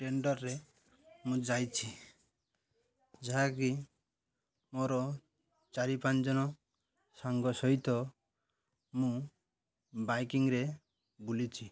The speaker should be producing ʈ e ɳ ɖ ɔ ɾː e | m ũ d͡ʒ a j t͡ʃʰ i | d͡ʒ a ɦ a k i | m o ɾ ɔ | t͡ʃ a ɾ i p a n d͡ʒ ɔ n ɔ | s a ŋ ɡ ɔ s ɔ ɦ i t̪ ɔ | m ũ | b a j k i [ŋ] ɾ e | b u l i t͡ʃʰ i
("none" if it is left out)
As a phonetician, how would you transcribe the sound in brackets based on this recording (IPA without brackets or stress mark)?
ŋ